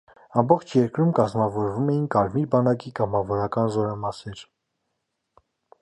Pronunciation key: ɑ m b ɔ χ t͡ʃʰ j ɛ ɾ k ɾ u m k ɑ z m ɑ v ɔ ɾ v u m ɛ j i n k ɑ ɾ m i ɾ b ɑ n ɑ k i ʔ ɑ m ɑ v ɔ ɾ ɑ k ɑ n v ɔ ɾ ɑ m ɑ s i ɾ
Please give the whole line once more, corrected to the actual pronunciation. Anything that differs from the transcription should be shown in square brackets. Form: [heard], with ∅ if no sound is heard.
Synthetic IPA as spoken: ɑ m b ɔ χ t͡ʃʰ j ɛ ɾ k ɾ u m k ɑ z m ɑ v ɔ ɾ v u m ɛ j i n k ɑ ɾ m i ɾ b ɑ n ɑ k i [k] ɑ m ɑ v ɔ ɾ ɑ k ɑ n [z] ɔ ɾ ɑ m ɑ s [ɛ] ɾ